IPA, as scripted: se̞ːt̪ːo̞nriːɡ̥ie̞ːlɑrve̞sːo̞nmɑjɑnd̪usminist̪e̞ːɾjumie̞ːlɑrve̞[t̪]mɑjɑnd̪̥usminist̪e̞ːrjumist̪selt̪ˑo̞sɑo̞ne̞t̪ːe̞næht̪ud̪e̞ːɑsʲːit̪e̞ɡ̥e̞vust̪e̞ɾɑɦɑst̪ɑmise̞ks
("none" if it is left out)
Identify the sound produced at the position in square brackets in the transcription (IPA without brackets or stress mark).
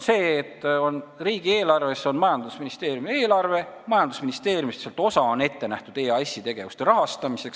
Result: none